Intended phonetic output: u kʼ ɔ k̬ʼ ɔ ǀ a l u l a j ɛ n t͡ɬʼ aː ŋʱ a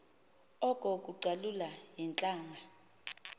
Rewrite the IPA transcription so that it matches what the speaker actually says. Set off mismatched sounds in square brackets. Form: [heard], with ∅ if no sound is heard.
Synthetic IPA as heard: [ɔ] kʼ ɔ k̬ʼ [u] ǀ a l u l a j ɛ n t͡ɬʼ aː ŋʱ a

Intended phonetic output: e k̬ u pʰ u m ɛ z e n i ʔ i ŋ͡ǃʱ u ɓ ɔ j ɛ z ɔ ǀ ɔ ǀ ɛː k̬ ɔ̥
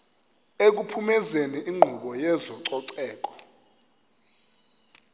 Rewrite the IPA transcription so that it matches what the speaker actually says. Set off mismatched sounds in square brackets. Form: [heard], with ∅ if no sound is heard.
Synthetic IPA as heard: e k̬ u pʰ u m ɛ z e n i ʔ i ŋ͡ǃʱ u ɓ ɔ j ɛ z ɔ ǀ ɔ ǀ ɛː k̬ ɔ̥

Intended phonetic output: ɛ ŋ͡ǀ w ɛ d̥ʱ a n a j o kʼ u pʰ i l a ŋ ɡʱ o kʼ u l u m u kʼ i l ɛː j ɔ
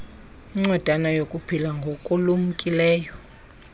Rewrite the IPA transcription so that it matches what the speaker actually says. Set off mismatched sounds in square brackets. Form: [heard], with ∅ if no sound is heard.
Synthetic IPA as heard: [i] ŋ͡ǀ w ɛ d̥ʱ a n a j o kʼ u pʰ i l a ŋ ɡʱ o kʼ u l u m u kʼ i l ɛː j ɔ

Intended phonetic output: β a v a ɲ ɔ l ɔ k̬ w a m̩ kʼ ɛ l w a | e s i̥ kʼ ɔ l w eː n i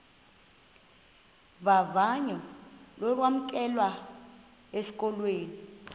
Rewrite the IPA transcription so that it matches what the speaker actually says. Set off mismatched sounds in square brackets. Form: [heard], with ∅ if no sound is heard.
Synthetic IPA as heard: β a v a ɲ ɔ l ɔ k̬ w a m̩ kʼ ɛ l w a | e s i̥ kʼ ɔ l w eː n i

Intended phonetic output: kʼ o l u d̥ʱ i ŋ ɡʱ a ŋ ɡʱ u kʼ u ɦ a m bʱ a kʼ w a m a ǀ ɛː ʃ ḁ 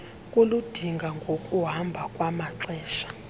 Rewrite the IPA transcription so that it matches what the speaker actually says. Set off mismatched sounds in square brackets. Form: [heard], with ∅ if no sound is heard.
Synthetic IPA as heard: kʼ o l u d̥ʱ i ŋ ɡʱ a ŋ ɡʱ [o] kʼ u ɦ a m bʱ a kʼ w a m a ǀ ɛː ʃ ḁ

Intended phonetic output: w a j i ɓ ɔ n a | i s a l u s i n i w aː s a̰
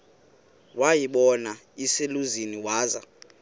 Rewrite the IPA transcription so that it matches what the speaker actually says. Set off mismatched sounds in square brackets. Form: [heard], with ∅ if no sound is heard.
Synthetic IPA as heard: w a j i ɓ ɔ n a | i s [e] l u [z] i n i w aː [z] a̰

